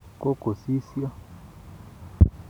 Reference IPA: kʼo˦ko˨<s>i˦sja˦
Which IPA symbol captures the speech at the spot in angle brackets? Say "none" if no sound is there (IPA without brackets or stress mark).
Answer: s